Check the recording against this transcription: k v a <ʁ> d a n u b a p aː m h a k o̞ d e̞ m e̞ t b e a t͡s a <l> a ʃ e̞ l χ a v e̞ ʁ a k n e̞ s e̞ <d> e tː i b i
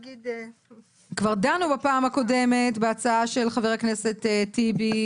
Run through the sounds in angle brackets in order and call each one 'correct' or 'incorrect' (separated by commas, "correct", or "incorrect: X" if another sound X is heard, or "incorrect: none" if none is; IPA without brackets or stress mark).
correct, incorrect: none, incorrect: t